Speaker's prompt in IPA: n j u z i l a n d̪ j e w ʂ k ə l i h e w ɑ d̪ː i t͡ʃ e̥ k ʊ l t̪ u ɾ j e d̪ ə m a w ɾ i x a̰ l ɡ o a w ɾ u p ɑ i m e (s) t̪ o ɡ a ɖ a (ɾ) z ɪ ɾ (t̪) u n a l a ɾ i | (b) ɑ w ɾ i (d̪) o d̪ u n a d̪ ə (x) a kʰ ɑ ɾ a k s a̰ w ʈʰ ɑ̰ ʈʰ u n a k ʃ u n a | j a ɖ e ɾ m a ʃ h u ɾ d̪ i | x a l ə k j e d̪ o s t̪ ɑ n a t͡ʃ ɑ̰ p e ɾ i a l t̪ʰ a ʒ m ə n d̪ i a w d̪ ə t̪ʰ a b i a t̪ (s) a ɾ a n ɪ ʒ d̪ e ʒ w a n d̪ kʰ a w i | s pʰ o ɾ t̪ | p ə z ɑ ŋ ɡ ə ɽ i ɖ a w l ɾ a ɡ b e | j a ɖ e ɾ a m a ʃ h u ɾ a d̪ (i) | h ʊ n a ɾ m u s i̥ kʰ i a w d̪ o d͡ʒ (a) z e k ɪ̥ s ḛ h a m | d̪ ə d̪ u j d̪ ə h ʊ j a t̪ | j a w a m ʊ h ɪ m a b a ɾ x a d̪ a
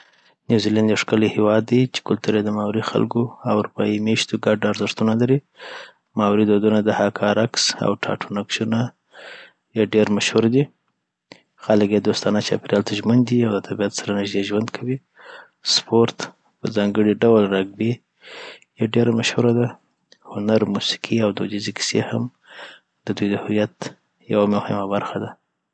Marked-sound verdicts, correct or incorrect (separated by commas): incorrect, correct, correct, incorrect, correct, incorrect, correct, incorrect, incorrect